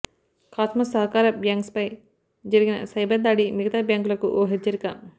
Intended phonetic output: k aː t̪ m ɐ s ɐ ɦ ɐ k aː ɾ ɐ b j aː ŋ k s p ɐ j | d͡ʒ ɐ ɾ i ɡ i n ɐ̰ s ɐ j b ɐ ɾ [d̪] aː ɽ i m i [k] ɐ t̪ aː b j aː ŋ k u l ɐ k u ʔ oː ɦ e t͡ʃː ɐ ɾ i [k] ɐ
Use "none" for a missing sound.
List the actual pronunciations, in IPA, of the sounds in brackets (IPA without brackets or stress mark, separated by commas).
d̪, ɡ, k